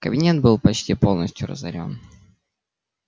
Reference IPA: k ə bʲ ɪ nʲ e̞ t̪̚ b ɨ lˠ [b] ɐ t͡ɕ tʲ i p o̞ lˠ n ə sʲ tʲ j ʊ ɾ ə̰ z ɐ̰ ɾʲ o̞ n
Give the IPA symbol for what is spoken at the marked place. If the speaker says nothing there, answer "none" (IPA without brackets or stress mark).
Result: p